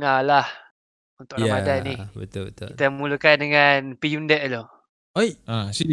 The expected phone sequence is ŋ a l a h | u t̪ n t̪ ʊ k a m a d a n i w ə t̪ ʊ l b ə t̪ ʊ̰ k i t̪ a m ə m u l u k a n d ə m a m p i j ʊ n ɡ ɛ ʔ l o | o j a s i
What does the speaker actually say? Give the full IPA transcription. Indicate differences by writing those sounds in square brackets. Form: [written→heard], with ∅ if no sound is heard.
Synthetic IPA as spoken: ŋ a l a h | u [t̪→∅] n t̪ ʊ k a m a d a n i [w→b] ə t̪ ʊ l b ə t̪ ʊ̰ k i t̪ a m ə m u l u k a n d ə [m→ŋ] a [m→n] p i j [ʊ→u] n [ɡ→d] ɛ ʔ l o | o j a s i